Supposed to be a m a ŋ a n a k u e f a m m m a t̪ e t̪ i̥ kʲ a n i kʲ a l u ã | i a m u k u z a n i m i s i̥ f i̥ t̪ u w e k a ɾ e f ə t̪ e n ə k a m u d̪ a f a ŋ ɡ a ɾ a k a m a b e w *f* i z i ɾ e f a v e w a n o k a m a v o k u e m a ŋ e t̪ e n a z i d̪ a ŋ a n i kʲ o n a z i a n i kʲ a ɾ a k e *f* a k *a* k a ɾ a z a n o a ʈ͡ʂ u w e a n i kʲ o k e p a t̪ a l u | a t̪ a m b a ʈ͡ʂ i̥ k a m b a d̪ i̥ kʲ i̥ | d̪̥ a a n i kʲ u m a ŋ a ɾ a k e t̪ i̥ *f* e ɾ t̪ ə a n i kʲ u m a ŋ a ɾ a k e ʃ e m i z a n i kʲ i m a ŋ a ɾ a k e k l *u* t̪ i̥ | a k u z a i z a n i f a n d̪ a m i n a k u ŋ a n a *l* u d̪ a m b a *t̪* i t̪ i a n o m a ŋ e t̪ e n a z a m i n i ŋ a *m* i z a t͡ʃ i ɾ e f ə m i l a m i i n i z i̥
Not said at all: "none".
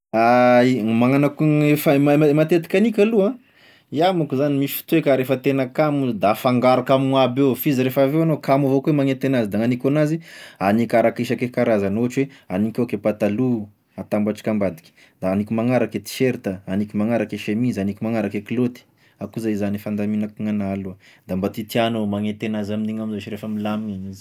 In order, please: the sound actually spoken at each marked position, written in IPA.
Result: f, ʃ, e, ʃ, o, l, t̪, m

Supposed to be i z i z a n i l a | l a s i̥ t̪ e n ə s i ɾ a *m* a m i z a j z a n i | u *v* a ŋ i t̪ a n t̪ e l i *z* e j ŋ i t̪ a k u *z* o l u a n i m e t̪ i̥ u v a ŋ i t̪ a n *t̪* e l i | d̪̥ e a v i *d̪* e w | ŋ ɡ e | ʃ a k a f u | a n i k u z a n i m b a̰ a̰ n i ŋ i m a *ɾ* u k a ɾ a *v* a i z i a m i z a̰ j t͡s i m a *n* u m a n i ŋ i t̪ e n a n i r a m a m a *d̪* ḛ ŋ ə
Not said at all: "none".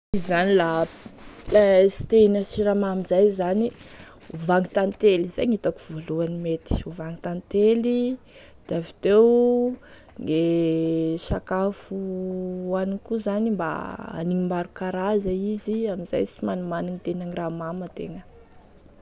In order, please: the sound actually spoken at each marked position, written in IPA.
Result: m, v, z, v, t̪, t̪, ɾ, z, n, t̪

